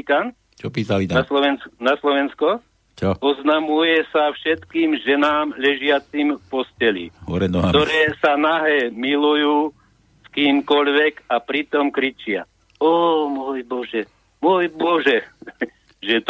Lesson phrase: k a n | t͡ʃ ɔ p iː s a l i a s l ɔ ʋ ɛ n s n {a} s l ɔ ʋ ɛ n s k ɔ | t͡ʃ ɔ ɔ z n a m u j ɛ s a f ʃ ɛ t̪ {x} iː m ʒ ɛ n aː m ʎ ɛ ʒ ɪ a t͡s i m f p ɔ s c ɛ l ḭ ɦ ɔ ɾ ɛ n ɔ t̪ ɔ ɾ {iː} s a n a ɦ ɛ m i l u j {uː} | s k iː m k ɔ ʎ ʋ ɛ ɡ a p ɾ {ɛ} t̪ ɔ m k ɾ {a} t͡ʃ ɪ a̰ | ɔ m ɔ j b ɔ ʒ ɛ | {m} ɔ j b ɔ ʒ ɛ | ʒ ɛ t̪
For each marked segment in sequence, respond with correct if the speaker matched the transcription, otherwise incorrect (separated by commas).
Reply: correct, incorrect, incorrect, correct, incorrect, incorrect, correct